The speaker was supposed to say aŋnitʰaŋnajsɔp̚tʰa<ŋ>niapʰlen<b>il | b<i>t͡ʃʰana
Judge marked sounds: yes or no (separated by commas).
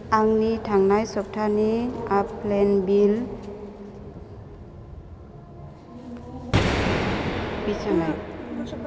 no, yes, yes